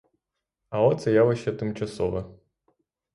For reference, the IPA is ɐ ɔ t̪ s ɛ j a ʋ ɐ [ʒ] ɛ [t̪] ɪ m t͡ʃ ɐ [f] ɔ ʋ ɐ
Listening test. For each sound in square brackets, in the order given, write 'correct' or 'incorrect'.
incorrect, correct, incorrect

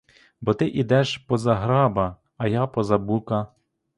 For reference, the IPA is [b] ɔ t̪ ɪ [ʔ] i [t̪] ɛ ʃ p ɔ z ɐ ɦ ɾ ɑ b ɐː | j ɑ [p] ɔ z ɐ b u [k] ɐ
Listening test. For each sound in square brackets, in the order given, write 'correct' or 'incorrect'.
correct, correct, incorrect, correct, correct

